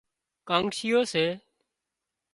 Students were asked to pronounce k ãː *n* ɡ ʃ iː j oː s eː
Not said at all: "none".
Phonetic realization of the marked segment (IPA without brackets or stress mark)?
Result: ŋ